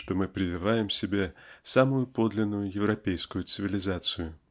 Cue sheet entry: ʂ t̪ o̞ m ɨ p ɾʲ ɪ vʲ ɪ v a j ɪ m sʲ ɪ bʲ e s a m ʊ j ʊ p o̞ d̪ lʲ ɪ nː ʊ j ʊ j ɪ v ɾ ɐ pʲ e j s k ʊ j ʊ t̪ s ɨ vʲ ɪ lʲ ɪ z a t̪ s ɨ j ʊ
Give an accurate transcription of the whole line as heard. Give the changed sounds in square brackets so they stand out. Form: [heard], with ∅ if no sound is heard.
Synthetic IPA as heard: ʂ t̪ o̞ m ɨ p ɾʲ ɪ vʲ ɪ v a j ɪ m sʲ ɪ bʲ e s a m ʊ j ʊ p o̞ d̪ lʲ ɪ nː ʊ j ʊ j ɪ v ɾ ɐ pʲ e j s k ʊ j ʊ t̪ s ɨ vʲ ɪ lʲ ɪ z a t̪ s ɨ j ʊ